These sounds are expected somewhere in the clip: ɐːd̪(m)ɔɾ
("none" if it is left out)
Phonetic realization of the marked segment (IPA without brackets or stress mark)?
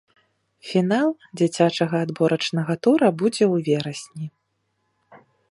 b